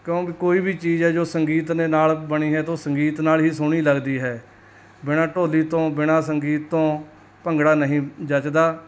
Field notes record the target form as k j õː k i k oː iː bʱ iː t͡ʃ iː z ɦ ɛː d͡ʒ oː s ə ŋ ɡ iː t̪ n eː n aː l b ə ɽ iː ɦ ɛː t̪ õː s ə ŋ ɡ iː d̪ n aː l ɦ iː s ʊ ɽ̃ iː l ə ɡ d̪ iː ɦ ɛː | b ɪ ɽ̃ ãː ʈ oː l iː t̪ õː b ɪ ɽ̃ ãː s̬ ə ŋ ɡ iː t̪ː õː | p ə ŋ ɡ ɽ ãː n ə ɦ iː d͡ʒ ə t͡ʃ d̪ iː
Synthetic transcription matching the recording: k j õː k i k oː iː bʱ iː t͡ʃ iː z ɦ ɛː d͡ʒ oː s ə ŋ ɡ iː t̪ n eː n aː l b ə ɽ iː ɦ ɛː t̪ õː s ə ŋ ɡ iː t̪ n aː l ɦ iː s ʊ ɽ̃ iː l ə ɡ d̪ iː ɦ ɛː | b ɪ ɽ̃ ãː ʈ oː l iː t̪ õː b ɪ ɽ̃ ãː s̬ ə ŋ ɡ iː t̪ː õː | p ə ŋ ɡ ɽ aː n ə ɦ ĩː d͡ʒ ə t͡ʃ d̪ aː